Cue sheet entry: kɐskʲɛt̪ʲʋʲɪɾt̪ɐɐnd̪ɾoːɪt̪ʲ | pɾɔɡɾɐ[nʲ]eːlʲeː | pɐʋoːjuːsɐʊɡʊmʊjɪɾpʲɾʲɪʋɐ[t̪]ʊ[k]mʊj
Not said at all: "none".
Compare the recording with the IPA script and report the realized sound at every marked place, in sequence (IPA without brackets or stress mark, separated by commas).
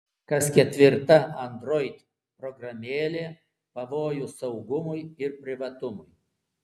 mʲ, t̪, none